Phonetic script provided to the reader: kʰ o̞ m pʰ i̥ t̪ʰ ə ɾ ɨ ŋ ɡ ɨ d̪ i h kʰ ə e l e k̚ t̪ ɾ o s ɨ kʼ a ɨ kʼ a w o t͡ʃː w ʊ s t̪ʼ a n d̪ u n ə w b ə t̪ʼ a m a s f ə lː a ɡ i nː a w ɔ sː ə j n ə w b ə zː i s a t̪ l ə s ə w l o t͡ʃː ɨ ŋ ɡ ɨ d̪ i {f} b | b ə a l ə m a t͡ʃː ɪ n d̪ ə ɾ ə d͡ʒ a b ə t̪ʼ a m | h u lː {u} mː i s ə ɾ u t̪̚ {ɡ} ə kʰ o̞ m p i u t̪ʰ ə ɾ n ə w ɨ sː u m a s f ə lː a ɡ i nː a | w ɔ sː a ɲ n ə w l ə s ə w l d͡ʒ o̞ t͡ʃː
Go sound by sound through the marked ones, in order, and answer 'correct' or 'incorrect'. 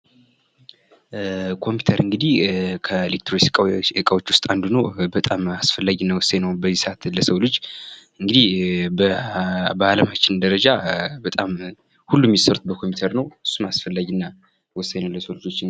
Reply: incorrect: h, correct, incorrect: b

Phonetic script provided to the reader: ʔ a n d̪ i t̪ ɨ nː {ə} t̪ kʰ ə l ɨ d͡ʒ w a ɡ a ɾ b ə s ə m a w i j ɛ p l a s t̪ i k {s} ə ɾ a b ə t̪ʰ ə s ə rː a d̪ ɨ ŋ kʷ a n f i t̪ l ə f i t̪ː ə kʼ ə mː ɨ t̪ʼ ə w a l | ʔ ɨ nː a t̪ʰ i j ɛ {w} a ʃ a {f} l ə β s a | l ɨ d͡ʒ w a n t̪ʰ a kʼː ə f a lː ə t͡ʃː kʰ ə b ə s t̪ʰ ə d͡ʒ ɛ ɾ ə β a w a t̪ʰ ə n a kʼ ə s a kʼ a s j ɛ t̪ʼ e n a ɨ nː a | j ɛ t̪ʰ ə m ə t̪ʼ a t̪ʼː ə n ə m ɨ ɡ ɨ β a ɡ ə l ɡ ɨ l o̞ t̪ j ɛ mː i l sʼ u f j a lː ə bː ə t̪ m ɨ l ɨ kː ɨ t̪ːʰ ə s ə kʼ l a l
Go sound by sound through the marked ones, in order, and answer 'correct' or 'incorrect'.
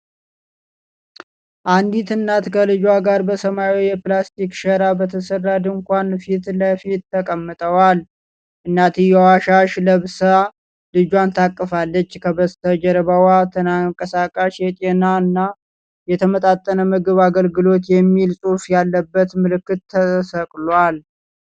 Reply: incorrect: a, incorrect: ʃ, correct, incorrect: ʃ

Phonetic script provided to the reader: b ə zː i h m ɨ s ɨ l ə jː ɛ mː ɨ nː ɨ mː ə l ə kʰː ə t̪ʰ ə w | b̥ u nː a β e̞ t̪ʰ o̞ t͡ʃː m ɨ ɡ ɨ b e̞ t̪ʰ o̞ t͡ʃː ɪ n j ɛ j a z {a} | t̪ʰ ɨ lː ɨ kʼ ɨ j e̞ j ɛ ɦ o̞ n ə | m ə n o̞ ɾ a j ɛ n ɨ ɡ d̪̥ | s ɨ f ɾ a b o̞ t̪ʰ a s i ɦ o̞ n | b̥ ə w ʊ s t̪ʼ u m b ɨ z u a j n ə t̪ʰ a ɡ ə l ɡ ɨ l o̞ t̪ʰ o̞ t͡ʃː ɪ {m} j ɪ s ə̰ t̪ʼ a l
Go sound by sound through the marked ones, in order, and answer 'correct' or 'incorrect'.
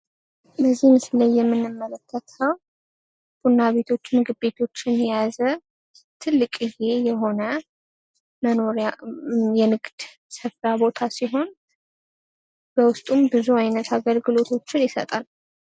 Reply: incorrect: ə, incorrect: n

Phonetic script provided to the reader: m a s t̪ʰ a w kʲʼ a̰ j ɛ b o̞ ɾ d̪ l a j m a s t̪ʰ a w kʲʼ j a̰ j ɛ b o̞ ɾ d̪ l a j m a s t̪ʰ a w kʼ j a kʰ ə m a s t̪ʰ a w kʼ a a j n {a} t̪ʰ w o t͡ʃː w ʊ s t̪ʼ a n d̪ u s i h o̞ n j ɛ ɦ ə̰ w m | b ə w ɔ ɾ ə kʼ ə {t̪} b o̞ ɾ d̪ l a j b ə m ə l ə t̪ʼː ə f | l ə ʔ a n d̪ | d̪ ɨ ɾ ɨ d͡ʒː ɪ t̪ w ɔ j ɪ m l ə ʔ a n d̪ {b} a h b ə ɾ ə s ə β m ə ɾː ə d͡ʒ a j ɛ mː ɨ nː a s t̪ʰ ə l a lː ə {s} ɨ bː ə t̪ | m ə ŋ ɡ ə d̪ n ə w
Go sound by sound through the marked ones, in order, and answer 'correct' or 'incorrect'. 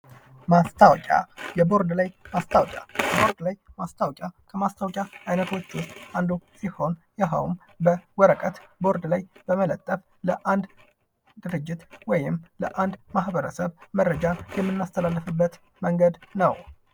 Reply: incorrect: ə, correct, incorrect: m, incorrect: f

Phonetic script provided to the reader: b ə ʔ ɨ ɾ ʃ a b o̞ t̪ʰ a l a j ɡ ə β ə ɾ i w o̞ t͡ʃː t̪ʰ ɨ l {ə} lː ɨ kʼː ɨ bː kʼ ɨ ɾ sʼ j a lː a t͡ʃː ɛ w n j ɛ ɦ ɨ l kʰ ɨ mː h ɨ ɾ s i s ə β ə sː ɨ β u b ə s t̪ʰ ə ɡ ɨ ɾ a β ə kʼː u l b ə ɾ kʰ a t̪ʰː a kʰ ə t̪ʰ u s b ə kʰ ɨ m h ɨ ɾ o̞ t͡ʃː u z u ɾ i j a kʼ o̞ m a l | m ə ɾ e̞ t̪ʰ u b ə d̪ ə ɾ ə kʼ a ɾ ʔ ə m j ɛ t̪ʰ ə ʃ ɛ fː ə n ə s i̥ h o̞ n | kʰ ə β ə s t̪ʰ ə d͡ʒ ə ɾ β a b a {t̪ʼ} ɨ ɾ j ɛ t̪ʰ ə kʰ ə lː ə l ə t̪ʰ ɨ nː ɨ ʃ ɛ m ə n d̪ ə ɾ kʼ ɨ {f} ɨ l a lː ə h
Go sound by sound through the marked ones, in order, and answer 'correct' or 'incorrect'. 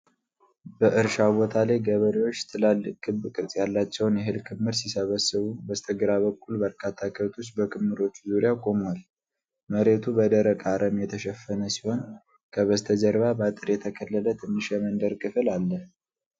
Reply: incorrect: a, correct, correct

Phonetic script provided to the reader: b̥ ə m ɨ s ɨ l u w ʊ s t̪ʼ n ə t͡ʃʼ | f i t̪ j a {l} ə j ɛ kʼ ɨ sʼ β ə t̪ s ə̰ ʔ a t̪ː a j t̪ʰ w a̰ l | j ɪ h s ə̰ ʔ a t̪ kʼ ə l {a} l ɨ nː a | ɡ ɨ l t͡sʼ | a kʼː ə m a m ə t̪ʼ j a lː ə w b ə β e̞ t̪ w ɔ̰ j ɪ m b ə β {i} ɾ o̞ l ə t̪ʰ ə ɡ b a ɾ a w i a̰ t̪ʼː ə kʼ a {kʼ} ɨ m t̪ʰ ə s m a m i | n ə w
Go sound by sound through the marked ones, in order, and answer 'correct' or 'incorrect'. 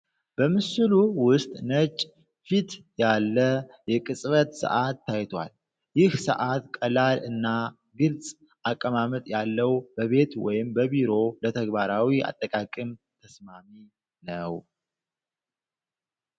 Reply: incorrect: lː, correct, correct, correct

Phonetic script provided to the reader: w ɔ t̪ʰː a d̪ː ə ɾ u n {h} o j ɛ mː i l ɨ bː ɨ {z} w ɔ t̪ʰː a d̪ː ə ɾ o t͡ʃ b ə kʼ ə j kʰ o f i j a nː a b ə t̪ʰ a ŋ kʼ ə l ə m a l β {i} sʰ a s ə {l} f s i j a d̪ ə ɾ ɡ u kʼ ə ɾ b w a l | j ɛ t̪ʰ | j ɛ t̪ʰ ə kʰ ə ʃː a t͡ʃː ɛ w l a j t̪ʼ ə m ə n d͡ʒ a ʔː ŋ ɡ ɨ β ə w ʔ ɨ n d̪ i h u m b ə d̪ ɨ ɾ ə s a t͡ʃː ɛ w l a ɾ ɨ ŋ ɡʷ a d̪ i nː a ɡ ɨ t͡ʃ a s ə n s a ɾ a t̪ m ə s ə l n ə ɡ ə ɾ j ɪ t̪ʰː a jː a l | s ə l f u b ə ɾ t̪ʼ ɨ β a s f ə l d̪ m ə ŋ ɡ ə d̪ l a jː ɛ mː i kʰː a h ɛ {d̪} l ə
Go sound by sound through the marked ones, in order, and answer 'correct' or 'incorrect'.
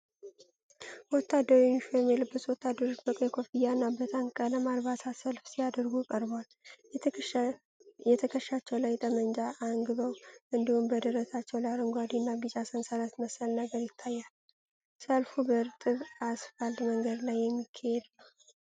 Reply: incorrect: ʃ, incorrect: s, incorrect: a, correct, correct

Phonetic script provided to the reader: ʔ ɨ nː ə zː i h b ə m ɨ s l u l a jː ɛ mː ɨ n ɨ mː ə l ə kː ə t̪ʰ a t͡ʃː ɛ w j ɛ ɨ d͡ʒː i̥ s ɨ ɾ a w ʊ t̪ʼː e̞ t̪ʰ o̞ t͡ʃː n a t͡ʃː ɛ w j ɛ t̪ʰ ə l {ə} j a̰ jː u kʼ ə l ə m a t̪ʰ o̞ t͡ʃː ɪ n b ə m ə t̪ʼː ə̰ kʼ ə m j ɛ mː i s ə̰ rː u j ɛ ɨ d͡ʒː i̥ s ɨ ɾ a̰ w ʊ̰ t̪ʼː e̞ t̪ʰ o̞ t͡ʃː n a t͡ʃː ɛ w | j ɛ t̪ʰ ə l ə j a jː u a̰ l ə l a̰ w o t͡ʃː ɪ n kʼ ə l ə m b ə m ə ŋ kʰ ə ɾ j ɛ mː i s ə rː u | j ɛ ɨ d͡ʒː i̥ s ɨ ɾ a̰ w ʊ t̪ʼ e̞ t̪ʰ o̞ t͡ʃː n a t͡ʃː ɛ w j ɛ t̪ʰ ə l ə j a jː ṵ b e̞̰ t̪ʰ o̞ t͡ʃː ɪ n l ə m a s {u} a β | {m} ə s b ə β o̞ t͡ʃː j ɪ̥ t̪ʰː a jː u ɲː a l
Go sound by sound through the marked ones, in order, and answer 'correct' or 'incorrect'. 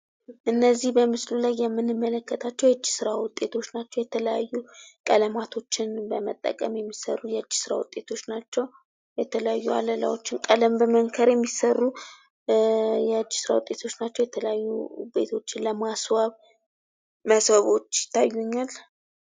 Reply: correct, incorrect: w, correct

